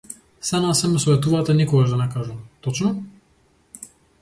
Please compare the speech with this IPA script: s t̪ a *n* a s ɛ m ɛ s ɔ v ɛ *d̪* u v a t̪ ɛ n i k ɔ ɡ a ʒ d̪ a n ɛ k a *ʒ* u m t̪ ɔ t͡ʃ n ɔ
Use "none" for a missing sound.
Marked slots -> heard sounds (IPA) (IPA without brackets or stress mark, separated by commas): n, t̪, ʒ